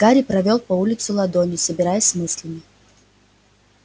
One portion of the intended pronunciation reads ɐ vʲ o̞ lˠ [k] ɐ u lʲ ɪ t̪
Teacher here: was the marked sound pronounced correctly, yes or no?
no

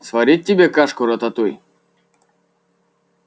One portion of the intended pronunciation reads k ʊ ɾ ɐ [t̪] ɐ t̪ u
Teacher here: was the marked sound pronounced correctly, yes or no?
yes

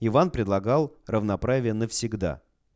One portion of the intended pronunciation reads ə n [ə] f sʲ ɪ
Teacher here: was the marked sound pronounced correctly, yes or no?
yes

